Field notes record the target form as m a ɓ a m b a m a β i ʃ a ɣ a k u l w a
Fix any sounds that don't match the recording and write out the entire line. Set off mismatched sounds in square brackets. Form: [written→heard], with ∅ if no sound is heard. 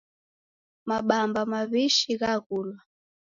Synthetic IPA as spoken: m a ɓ a m b a m a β i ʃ [a→i] ɣ a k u l w a